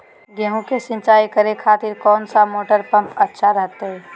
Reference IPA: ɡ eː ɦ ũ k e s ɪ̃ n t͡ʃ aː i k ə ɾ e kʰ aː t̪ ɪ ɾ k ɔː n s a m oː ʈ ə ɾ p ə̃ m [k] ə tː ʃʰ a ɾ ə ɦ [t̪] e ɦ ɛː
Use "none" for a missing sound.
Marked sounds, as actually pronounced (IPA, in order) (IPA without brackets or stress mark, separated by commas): p, t̪